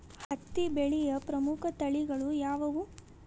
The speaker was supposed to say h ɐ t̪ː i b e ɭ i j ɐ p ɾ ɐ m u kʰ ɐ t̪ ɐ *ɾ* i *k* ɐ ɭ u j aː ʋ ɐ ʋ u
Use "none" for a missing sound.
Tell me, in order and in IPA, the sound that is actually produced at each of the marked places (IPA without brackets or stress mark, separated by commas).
ɭ, ɡ